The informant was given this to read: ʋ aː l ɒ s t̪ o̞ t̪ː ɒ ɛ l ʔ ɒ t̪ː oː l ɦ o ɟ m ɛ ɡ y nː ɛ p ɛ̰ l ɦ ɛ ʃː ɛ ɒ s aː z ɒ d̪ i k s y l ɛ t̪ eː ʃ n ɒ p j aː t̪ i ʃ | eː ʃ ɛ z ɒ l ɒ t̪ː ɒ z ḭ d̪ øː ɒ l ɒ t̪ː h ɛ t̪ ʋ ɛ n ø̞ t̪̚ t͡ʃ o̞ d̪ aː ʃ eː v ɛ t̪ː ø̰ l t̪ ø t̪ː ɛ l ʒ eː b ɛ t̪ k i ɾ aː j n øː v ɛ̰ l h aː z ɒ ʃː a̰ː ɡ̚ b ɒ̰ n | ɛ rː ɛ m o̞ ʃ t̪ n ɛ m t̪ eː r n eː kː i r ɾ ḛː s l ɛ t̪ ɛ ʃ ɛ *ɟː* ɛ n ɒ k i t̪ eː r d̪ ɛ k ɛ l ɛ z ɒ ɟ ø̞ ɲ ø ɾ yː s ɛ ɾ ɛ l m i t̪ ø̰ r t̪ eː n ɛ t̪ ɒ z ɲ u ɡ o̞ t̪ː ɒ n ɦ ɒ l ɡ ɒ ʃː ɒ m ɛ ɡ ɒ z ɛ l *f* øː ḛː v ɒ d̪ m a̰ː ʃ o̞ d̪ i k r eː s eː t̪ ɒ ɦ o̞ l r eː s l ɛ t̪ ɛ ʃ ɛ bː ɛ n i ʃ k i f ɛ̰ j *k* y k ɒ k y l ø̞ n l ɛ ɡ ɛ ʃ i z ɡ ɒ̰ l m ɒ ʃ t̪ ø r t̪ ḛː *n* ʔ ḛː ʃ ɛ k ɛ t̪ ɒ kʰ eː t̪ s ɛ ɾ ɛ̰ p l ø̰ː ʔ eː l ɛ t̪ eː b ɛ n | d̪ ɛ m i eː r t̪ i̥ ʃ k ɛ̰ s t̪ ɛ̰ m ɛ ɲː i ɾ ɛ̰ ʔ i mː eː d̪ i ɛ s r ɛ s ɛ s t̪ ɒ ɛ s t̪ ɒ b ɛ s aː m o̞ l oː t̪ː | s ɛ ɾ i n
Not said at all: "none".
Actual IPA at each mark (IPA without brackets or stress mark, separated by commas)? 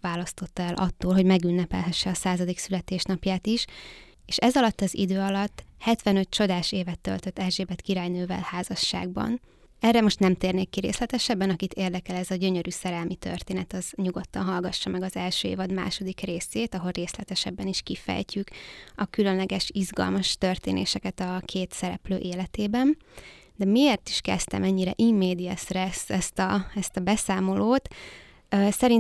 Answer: bː, ʃ, c, n